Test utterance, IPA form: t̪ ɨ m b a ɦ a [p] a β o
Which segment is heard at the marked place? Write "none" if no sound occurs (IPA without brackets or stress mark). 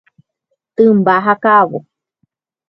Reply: k